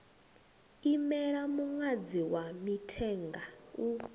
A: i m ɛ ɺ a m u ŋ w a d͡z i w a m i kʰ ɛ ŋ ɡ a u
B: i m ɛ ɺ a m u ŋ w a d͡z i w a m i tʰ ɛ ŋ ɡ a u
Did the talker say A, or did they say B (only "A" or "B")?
B